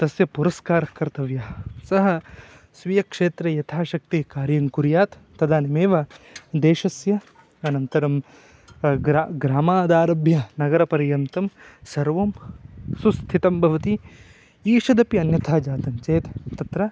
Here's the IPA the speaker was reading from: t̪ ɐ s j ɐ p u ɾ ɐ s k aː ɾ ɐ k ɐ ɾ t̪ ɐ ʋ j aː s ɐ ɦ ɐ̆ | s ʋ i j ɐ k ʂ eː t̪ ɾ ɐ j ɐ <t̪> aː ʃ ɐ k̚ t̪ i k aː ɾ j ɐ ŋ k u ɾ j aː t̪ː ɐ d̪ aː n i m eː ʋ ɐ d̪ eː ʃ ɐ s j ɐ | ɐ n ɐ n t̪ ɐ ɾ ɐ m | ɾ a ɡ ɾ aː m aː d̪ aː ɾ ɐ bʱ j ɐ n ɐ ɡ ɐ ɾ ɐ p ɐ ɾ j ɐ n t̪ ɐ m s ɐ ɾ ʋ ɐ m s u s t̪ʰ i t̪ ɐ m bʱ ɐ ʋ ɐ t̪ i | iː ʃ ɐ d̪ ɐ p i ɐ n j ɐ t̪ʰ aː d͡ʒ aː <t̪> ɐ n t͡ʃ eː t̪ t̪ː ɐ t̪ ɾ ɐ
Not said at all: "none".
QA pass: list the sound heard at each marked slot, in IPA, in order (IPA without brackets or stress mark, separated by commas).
t̪ʰ, t̪